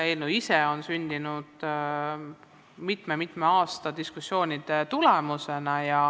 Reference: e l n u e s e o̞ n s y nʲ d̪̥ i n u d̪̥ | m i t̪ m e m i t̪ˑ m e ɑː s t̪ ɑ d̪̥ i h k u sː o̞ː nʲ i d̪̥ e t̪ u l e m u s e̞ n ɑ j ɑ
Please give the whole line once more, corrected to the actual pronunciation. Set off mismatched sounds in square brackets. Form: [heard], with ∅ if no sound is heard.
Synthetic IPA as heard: e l n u [i] s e o̞ n s y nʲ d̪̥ i n u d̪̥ | m i t̪ m e m i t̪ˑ m e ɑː s t̪ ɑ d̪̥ i [s] k u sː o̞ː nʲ i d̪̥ e t̪ u l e m u s e̞ n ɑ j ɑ